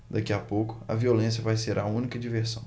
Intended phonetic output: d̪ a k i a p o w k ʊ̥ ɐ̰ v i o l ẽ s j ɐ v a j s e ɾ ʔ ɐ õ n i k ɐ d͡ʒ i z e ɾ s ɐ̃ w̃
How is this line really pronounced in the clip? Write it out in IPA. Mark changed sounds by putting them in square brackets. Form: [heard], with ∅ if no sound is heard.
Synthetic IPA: d̪ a k i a p o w k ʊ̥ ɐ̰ v i o l ẽ s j ɐ v a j s e ɾ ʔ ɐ [ũ] n i k ɐ d͡ʒ i [v] e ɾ s ɐ̃ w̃